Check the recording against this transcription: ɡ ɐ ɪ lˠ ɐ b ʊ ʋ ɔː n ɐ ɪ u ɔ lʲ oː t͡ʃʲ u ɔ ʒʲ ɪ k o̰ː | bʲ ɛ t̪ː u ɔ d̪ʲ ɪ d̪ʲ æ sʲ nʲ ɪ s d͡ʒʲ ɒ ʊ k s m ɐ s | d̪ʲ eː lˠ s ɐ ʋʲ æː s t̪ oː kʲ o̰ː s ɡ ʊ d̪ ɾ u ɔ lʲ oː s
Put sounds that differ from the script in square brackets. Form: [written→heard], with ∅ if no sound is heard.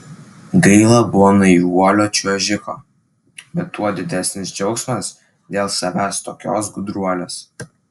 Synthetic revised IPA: ɡ ɐ ɪ lˠ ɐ b ʊ ʋ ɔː n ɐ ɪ u ɔ lʲ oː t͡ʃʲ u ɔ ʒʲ ɪ k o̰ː | bʲ ɛ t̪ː u ɔ d̪ʲ ɪ d̪ʲ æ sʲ nʲ ɪ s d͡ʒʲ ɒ ʊ k s m ɐ s | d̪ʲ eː lˠ s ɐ ʋʲ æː s t̪ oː kʲ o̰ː s ɡ ʊ d̪ ɾ u ɔ lʲ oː s